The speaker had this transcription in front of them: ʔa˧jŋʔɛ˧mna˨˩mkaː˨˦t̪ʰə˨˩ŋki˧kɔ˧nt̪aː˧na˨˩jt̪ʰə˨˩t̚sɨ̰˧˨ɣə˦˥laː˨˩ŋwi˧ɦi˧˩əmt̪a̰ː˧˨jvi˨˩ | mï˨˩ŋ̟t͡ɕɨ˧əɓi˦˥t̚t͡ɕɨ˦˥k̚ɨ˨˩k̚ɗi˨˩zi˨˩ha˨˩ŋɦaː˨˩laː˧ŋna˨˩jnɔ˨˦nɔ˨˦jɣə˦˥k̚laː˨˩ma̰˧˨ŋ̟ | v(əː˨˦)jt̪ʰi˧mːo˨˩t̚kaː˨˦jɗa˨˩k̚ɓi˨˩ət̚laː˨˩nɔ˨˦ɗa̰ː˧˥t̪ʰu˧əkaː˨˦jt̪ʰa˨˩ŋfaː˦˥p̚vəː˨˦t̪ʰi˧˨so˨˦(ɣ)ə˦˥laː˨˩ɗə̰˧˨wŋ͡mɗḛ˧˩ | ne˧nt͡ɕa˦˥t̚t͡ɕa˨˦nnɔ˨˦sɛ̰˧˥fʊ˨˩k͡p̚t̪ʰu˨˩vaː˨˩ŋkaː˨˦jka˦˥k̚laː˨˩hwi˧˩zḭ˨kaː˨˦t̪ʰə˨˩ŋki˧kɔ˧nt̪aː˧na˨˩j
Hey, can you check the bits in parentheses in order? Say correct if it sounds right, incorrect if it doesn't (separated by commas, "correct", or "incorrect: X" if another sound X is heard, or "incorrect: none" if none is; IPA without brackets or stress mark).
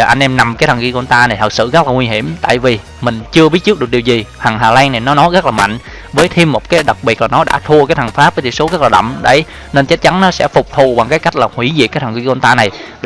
correct, correct